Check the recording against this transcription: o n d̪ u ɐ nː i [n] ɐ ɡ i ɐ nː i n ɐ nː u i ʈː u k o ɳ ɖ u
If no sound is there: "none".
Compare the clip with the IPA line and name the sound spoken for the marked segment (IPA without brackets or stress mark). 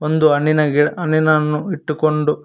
n